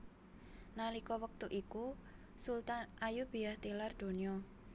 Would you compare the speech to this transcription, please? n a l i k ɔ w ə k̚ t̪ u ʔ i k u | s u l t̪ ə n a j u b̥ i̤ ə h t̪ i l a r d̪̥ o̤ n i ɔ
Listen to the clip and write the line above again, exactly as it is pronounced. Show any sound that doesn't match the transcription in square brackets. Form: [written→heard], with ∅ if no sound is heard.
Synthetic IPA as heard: n a l i k ɔ w ə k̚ t̪ u ʔ i k u | s u l t̪ [ə→a] n a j u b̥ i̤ [ə→a] h t̪ i l a r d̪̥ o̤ n i ɔ